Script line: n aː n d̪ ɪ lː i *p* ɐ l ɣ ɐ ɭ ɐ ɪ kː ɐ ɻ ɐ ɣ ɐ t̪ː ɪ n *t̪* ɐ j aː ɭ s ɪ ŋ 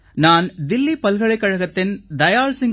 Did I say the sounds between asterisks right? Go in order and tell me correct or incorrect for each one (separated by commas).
correct, incorrect